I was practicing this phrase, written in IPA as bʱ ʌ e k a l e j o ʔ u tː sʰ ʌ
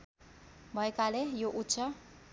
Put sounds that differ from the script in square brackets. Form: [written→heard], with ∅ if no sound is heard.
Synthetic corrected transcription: bʱ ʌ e k a l e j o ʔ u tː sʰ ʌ